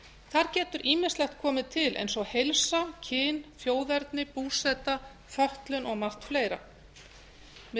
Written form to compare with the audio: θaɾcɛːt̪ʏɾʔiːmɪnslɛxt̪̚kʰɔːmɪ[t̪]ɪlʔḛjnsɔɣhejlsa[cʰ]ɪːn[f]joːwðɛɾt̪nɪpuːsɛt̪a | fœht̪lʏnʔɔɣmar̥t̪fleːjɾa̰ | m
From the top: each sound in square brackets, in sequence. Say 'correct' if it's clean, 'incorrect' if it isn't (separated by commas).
incorrect, correct, correct